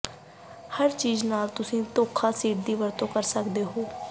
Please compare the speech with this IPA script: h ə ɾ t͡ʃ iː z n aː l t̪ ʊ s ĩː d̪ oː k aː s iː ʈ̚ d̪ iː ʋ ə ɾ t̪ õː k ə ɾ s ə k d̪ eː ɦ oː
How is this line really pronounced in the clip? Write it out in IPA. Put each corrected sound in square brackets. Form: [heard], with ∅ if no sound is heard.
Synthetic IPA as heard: h ə ɾ t͡ʃ iː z n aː l t̪ ʊ s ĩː [t̪] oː [kʰ] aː s iː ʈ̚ d̪ iː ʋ ə ɾ t̪ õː k ə ɾ s ə k d̪ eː ɦ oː